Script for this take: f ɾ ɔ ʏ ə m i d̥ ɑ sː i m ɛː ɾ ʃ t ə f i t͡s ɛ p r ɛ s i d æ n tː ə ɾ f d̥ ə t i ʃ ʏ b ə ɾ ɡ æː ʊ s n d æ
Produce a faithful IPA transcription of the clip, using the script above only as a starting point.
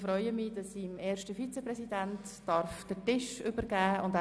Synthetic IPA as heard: f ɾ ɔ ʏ ə m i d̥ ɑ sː i m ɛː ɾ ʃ t ə f i t͡s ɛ p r ɛ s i d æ n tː ɑ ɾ f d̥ ə t ɪ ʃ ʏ b ə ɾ ɡ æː ʊ n d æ

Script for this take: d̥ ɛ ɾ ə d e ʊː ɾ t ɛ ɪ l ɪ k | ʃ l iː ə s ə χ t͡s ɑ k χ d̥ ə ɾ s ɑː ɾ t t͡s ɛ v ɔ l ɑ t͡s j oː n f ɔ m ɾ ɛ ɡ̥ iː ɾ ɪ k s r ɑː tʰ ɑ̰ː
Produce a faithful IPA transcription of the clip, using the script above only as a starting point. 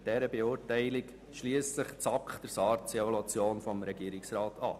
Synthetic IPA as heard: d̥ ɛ ɾ ə b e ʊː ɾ t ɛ ɪ l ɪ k | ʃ l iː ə s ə χ t͡s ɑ k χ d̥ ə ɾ s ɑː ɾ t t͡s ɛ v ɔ l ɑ t͡s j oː n f ɔ m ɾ ɛ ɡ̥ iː ɾ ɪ k s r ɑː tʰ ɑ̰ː

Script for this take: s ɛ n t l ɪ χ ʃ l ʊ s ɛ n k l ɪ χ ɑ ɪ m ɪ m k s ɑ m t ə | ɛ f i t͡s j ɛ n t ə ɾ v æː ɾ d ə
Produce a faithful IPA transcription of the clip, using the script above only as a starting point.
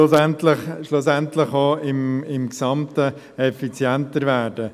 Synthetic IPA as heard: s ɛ n t l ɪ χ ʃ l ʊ s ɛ n t l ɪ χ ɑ ɪ m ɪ m k s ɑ m t ə | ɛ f i t͡s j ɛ n t ə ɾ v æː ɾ d ə

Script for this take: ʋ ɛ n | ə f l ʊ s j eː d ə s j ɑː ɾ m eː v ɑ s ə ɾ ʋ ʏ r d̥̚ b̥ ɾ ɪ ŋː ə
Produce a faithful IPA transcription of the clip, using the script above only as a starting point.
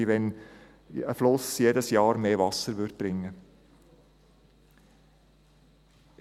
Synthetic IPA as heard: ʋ ɛ n | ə f l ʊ s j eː d ə s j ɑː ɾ m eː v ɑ s ə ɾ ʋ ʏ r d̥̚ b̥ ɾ ɪ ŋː ə

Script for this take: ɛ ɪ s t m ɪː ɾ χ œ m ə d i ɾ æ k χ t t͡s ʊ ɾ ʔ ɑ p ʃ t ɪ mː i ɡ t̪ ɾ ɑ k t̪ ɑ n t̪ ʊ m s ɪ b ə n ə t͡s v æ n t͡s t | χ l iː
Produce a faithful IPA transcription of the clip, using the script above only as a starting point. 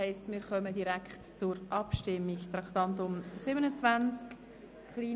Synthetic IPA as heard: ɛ ɪ s t m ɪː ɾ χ œ m ə d i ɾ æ k χ t t͡s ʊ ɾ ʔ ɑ p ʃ t ɪ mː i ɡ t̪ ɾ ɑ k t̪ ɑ n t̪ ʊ m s ɪ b ə n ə t͡s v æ n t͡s k | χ l iː

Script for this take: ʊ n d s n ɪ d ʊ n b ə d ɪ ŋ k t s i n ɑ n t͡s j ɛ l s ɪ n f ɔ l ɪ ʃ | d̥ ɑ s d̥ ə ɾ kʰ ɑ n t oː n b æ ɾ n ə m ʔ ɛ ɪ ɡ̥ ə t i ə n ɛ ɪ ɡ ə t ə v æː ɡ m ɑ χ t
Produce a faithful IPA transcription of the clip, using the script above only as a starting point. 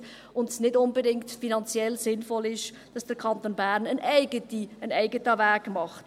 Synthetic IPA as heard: ʊ n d s n ɪ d ʊ n b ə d ɪ ŋ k t f i n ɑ n t͡s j ɛ l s ɪ n f ɔ l ɪ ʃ | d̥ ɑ s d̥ ə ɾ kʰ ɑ n t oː n b æ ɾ n ə n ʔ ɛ ɪ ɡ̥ ə t i ə n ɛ ɪ ɡ ə t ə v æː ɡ m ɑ χ t

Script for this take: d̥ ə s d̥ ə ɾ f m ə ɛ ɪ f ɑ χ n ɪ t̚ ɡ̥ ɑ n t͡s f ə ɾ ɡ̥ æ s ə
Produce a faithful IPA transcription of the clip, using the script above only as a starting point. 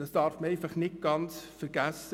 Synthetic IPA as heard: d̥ ɑ s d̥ ɑ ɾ f m ə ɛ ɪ f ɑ χ n ɪ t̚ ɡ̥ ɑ n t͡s f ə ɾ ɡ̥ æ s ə

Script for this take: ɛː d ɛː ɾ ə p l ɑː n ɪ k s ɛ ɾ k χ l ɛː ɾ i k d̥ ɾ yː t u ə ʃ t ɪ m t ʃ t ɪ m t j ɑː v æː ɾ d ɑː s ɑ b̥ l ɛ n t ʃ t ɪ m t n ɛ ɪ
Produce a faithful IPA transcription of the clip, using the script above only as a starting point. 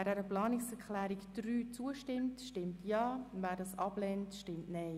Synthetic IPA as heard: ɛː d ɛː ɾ ə p l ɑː n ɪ k s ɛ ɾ k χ l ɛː ɾ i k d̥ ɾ yː t͡s u ə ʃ t ɪ m t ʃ t ɪ m t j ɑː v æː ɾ d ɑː s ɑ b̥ l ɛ n t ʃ t ɪ m t n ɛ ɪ

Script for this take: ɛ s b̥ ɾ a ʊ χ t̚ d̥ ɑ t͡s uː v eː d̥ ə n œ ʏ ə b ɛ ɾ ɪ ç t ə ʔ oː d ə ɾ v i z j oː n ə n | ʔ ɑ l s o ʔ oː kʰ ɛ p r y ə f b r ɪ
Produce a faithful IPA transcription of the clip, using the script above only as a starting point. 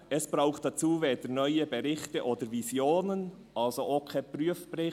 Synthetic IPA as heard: ɛ s b̥ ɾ a ʊ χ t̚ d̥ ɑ t͡s uː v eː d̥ ə n œ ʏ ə b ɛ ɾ ɪ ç t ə ʔ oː d ə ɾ v i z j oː n ə n | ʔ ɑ l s o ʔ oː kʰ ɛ p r y ə f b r ɪ

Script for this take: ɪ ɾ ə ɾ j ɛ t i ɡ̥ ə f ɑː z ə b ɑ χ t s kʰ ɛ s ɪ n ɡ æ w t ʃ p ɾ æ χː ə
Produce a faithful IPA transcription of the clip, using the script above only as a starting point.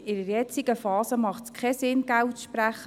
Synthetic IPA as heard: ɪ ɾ ə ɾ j ɛ t͡s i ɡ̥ ə f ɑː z ə m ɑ χ t s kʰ ɛ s ɪ n ɡ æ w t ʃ p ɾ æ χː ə

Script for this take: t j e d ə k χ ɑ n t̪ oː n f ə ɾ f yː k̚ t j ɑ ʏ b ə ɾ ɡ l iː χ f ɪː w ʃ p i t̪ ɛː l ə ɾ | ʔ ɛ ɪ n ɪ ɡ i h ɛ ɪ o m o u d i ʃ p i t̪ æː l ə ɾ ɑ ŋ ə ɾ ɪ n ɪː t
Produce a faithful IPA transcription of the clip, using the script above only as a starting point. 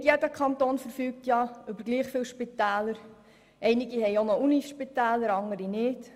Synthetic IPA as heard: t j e d ə k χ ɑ n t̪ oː n f ə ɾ f yː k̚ t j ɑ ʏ b ə ɾ ɡ l iː χ f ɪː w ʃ p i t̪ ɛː l ə ɾ | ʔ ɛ ɪ n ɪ ɡ i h ɛ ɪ o n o u n i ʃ p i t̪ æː l ə ɾ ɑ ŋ ə ɾ i n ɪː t

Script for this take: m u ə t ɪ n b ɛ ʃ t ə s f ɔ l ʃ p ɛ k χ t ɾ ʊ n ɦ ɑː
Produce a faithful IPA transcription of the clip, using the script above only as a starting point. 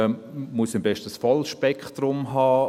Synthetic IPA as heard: m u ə s ɪ m b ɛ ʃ t ə s f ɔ l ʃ p ɛ k χ t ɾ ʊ m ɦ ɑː

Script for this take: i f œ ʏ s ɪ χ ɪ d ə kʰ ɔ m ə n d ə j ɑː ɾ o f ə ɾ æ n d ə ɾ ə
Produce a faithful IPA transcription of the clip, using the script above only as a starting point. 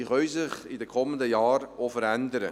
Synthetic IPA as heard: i χ œ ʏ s ɪ χ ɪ d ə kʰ ɔ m ə n d ə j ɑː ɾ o f ə ɾ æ n d ə ɾ ə

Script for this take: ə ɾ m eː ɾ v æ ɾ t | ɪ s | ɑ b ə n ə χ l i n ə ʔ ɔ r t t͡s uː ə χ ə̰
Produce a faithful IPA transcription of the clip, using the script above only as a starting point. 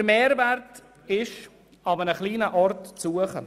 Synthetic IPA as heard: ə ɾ m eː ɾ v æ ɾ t | ɪ ʃ | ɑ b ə n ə χ l iː n ə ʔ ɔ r t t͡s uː ə χ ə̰

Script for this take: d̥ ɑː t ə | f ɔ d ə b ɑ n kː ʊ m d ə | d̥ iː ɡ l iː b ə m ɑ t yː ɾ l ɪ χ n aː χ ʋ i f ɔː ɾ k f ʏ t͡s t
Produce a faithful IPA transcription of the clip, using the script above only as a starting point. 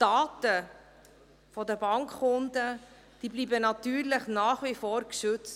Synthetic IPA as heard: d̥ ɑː t ə | f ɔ d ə b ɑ ŋ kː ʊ n d ə | d̥ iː b l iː b ə n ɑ t yː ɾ l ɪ χ n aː χ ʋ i f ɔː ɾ k ʃ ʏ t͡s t

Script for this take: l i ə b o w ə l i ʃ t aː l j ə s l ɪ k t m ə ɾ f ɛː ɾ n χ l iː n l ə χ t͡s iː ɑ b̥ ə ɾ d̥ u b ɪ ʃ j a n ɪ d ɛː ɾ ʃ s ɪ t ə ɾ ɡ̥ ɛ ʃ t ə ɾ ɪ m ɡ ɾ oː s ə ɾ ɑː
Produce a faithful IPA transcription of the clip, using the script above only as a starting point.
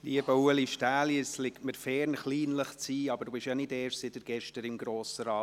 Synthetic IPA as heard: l i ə b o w ə l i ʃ t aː l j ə s l ɪ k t m ə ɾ f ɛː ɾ n χ l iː n l ə χ t͡s iː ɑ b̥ ə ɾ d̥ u b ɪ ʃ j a n ɪ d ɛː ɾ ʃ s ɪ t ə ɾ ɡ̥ ɛ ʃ t ə ɾ ɪ m ɡ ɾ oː s ə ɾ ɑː

